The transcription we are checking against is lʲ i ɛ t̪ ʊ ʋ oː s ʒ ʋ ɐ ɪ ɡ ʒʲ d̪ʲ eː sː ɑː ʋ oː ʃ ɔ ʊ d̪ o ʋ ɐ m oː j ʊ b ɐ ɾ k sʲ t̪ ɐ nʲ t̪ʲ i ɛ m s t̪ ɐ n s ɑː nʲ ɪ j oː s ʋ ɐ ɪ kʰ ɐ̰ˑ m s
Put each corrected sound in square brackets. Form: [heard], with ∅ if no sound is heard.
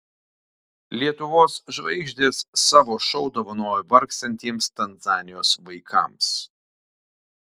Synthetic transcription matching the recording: lʲ i ɛ t̪ ʊ ʋ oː s ʒ ʋ ɐ ɪ ɡ ʒʲ d̪ʲ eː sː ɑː ʋ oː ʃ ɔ ʊ d̪ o ʋ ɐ [n] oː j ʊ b ɐ ɾ k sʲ t̪ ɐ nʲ t̪ʲ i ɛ m s t̪ ɐ n [z] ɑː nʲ ɪ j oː s ʋ ɐ ɪ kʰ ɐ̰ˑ m s